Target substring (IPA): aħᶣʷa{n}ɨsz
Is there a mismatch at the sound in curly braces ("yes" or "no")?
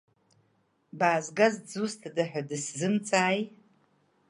yes